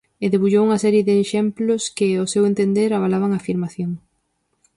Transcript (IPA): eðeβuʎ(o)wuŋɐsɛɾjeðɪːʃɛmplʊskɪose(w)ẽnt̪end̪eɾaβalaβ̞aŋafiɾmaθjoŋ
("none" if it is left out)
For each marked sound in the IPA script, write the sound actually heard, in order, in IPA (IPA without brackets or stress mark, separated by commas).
o, w